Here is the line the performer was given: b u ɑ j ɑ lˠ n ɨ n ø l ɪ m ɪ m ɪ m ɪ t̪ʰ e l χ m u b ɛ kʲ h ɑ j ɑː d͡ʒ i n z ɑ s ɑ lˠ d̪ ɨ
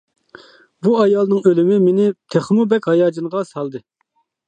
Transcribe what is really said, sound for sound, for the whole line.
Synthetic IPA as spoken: b u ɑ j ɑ lˠ n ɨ ŋ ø l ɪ m ɪ m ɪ n ɪ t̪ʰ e χ m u b ɛ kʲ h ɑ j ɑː d͡ʒ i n ʁ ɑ s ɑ lˠ d̪ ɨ